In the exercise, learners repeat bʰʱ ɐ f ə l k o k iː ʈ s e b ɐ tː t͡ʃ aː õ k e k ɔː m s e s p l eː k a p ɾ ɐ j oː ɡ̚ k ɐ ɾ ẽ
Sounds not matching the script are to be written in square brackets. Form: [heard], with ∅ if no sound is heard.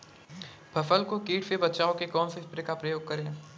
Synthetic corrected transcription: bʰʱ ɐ f ə l k o k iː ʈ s e b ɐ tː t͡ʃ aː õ k e k ɔː [n] s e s p [ɾ] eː k a p ɾ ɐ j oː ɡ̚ k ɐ ɾ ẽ